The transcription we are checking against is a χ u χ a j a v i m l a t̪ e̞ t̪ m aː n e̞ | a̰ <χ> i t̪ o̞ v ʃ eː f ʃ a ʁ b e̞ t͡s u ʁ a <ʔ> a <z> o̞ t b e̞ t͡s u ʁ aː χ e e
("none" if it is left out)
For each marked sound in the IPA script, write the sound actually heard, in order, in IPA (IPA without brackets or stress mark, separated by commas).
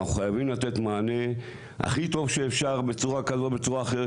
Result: χ, k, z